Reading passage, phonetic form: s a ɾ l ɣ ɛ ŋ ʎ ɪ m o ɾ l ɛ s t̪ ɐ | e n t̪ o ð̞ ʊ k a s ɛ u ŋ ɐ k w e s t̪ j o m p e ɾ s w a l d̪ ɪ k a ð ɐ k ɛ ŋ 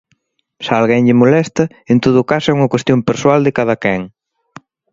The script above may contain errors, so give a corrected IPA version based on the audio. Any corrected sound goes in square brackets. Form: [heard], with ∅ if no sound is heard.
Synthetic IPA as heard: s a [∅] l ɣ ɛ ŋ ʎ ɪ m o [∅] l ɛ s t̪ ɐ | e n t̪ o ð̞ ʊ k a s ɛ u ŋ ɐ k w e s t̪ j o m p e ɾ s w a l d̪ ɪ k a ð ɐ k ɛ ŋ

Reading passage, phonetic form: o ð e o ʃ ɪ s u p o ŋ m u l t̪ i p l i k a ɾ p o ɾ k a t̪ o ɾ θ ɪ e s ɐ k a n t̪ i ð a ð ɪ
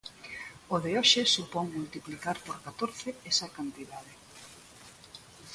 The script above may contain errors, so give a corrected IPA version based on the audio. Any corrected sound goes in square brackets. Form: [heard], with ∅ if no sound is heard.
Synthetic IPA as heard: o ð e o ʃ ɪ s u p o ŋ m u l t̪ i p l i k a ɾ p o ɾ k a t̪ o ɾ θ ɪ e s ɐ k a n t̪ i ð a ð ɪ

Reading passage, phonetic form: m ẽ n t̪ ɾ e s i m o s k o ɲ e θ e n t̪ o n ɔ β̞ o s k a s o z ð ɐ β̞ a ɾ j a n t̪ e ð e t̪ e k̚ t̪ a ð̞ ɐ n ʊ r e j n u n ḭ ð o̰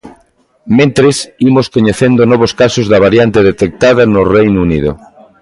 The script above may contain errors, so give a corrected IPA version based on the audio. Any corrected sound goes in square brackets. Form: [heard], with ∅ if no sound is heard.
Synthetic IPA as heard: m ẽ n t̪ ɾ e s i m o s k o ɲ e θ e n [d̪] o n ɔ β̞ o s k a s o z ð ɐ β̞ a ɾ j a n t̪ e ð e t̪ e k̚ t̪ a ð̞ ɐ n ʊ r e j n u n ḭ ð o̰

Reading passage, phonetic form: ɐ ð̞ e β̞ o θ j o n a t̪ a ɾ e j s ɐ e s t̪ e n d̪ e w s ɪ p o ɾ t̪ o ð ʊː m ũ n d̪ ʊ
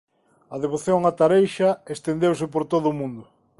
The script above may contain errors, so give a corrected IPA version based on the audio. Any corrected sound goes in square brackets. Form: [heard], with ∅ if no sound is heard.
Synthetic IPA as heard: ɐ ð̞ e β̞ o θ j o [ŋ] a t̪ a ɾ e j [ʃ] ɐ e s t̪ e n d̪ e w s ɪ p o ɾ t̪ o ð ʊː m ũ n d̪ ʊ

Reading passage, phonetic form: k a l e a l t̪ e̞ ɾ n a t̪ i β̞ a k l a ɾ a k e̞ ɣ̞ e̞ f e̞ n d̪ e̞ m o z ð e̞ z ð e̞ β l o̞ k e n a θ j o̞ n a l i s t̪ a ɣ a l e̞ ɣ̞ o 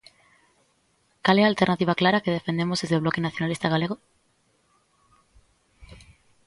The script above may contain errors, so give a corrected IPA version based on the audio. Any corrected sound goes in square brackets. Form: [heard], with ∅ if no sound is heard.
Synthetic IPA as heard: k a l e a l t̪ e̞ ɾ n a t̪ i β̞ a k l a ɾ a k e̞ [ð̞] e̞ f e̞ n d̪ e̞ m o z ð e̞ z ð e̞ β l o̞ k e n a θ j o̞ n a l i s t̪ a ɣ a l e̞ ɣ̞ o

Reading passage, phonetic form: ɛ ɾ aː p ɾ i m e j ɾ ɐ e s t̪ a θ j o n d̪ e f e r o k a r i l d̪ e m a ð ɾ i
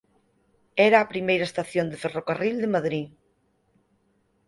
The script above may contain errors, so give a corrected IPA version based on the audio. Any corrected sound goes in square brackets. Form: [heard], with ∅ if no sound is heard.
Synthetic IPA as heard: ɛ ɾ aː p ɾ i m e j ɾ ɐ e s t̪ a θ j o n d̪ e f e r o k a r i l d̪ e m a ð ɾ i

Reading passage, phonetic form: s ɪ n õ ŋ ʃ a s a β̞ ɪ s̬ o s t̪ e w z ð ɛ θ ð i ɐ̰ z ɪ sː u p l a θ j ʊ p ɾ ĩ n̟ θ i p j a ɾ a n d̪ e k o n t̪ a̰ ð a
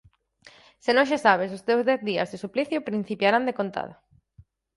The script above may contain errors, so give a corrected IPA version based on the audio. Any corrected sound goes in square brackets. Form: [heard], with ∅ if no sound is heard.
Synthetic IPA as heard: s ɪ n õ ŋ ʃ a s a β̞ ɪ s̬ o s t̪ e w z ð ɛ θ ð i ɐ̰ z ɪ [s] u p l [i] θ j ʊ p ɾ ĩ n̟ θ i p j a ɾ a n d̪ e k o n t̪ a̰ ð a

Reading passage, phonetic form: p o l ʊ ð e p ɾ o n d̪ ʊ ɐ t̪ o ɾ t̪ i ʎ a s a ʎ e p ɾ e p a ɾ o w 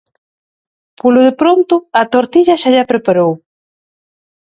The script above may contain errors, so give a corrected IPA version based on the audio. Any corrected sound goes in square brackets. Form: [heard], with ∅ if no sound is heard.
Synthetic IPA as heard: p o l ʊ ð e p ɾ o n [t̪] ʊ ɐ t̪ o ɾ t̪ i ʎ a [ʃ] a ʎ [a] p ɾ e p a ɾ o w

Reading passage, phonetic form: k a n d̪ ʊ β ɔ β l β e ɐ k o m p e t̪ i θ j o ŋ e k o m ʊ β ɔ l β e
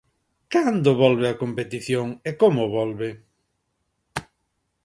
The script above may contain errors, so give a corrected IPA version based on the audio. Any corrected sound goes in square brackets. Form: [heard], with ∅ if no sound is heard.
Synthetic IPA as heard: k a n d̪ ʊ β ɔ [∅] l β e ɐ k o m p e t̪ i θ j o ŋ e k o m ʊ β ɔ l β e

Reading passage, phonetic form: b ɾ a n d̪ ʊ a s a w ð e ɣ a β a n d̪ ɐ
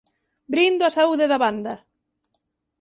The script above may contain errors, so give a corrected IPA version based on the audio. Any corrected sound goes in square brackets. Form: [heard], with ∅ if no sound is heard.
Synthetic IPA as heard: b ɾ [i] n d̪ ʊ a s a [u] ð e [ð] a β a n d̪ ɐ

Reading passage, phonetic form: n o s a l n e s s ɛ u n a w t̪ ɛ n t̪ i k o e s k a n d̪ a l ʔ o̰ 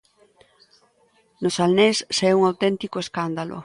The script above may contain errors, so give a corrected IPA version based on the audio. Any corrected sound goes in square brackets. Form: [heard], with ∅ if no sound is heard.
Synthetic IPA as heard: n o s a l n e s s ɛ u [ŋ] a w t̪ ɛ n t̪ i k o e s k a n d̪ a l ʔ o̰

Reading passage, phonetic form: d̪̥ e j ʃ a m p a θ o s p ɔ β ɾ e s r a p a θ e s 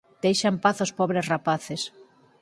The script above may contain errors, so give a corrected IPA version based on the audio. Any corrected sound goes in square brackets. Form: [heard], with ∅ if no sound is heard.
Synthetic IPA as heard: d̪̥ e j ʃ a m p a θ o s p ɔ β ɾ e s r a p a θ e s

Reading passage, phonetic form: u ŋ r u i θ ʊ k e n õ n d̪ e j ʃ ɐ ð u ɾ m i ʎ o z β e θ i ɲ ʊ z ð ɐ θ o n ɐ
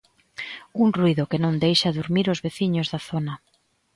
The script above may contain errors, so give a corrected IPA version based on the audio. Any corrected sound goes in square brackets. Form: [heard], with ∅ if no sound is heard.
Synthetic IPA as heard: u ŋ r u i [ð] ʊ k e n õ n d̪ e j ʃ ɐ ð u ɾ m i [ɾ] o z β e θ i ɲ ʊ z ð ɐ θ o n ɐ

